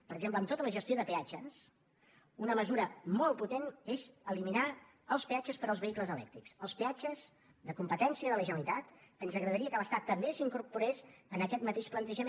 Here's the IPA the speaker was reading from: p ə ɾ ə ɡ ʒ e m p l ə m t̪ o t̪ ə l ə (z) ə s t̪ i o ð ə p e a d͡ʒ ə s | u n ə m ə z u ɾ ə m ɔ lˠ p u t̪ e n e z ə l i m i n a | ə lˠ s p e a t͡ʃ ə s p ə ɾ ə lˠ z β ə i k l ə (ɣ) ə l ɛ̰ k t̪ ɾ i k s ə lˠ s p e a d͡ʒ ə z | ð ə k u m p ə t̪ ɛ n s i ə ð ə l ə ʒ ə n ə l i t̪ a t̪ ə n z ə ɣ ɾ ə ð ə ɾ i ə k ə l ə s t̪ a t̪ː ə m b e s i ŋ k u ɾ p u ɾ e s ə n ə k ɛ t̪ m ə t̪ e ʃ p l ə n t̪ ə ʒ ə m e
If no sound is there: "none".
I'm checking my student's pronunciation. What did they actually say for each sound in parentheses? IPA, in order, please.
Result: ʒ, z

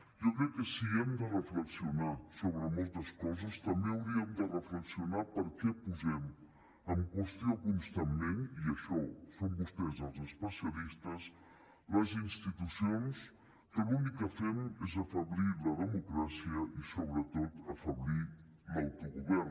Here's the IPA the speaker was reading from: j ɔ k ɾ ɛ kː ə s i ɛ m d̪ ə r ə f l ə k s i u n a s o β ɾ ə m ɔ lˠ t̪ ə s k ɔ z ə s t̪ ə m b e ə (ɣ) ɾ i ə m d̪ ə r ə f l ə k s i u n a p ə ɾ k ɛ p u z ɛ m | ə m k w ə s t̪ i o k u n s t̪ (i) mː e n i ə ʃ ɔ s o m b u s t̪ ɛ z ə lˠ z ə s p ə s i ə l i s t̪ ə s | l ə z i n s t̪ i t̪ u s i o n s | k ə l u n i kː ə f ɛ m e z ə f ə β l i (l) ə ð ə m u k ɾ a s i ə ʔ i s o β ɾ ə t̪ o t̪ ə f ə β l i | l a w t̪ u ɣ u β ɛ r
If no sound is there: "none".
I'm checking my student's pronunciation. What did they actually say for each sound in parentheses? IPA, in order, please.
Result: w, a, l

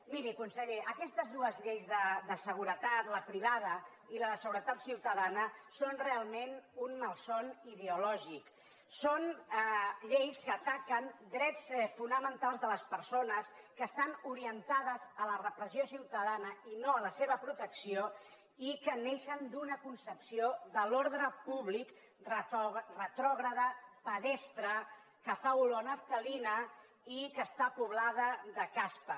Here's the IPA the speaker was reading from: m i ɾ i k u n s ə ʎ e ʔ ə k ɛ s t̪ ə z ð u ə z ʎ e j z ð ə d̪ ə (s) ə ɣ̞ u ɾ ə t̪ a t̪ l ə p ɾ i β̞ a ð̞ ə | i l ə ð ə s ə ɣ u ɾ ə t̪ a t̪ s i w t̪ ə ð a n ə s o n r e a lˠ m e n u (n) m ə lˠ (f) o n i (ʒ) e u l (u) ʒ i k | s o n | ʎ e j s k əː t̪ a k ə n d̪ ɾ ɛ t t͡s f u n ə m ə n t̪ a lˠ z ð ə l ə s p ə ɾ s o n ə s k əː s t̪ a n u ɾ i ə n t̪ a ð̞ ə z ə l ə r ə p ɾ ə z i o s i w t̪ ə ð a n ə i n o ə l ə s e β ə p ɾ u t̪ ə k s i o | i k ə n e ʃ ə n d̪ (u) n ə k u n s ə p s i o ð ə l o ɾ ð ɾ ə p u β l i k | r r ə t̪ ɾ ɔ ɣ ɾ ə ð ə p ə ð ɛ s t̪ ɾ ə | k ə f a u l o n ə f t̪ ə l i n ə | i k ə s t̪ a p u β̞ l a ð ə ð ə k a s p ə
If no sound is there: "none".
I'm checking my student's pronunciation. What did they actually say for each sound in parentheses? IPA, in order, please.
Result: s, n, s, ð, ɔ, u

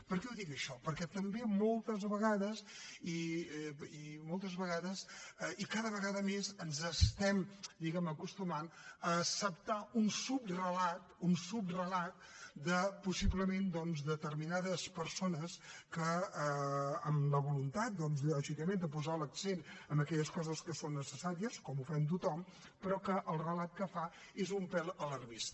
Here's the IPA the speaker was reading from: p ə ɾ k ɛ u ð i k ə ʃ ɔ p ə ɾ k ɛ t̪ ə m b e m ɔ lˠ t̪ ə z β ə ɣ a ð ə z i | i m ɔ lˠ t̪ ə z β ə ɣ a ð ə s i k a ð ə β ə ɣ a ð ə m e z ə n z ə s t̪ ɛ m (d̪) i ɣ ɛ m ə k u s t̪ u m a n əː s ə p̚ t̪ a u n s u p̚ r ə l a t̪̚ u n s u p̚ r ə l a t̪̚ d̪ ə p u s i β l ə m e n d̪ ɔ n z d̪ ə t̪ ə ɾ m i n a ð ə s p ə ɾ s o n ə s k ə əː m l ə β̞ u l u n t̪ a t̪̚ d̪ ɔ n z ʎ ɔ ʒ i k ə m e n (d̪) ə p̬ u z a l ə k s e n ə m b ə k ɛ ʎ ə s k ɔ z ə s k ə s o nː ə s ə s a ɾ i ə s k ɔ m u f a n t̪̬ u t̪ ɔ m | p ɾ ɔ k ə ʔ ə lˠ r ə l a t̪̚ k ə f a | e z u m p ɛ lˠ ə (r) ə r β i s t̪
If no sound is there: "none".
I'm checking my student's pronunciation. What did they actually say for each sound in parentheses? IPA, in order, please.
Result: d̪, d̪, l

